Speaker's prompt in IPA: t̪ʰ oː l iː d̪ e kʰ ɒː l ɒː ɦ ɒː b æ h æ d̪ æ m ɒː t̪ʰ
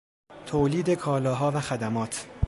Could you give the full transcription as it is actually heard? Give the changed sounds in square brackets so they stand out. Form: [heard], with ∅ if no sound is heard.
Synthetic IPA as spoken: t̪ʰ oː l iː d̪ e kʰ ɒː l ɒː ɦ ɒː [v] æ [x] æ d̪ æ m ɒː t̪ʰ